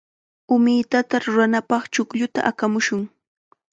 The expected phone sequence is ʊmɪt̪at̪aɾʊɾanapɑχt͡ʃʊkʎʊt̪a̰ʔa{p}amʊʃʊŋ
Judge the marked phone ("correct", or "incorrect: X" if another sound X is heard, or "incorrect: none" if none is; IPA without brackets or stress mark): incorrect: k